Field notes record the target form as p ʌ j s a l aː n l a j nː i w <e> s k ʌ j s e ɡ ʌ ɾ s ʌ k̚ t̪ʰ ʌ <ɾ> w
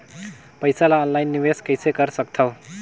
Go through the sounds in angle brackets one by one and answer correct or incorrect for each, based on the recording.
correct, incorrect

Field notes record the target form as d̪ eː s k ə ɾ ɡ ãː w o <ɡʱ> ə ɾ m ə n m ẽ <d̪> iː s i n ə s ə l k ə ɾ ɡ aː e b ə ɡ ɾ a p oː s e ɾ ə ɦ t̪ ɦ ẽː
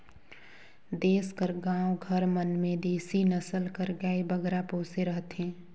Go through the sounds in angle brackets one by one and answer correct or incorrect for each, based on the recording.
correct, correct

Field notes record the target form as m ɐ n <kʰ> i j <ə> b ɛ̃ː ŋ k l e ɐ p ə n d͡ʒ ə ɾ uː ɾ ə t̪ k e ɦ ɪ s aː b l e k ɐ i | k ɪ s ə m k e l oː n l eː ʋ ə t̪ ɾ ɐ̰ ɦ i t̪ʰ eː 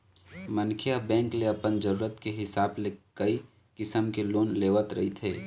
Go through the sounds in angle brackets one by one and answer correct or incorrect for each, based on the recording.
correct, incorrect

